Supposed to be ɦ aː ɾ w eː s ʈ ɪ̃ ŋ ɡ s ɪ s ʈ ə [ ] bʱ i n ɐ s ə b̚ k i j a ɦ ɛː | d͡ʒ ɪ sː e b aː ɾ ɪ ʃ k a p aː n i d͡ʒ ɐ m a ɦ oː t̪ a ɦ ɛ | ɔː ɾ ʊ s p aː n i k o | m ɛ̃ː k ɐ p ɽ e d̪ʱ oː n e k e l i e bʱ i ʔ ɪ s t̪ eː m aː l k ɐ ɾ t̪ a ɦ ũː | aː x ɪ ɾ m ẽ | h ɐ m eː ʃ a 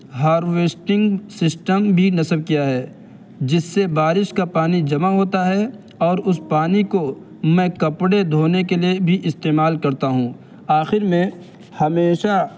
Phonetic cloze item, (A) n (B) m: B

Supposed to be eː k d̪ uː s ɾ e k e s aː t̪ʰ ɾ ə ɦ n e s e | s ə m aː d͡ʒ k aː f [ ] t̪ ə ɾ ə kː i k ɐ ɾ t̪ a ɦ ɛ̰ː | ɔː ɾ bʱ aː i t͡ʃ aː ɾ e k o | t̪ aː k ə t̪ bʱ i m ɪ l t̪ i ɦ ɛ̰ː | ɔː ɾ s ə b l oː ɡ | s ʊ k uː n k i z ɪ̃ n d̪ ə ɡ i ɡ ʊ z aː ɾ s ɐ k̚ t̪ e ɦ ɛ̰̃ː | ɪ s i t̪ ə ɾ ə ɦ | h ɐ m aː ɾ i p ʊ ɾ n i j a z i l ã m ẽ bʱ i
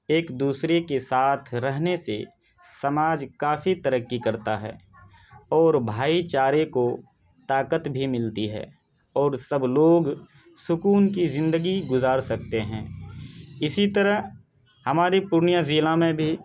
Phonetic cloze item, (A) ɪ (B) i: B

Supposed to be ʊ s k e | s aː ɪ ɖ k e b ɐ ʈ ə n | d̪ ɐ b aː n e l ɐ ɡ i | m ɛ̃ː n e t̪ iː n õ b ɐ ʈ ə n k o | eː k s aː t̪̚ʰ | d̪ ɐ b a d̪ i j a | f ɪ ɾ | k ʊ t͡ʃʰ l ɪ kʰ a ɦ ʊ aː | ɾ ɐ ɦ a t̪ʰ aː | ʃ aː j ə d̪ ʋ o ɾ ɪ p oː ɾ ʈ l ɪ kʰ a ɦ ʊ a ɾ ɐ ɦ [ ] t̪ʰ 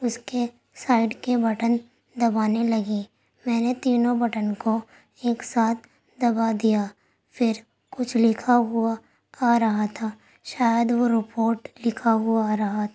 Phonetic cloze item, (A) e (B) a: B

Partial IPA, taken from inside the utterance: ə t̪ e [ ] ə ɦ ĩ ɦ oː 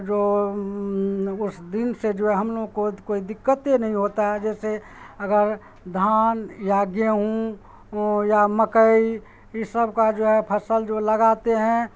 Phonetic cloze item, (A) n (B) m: A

